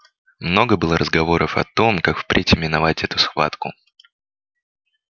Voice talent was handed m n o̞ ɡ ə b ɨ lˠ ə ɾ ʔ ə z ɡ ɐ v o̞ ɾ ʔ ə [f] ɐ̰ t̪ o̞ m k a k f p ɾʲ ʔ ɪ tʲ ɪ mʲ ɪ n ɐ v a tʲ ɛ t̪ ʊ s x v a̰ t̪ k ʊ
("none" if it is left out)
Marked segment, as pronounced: f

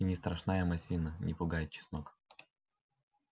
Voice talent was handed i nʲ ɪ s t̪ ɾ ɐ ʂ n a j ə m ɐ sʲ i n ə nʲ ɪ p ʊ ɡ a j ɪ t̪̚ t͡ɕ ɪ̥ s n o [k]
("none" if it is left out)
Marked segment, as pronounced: k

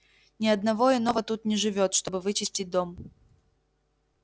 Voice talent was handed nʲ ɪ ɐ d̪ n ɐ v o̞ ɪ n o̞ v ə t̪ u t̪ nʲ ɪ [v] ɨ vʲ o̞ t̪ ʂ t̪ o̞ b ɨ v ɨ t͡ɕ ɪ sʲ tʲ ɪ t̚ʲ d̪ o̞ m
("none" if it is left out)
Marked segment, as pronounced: ʐ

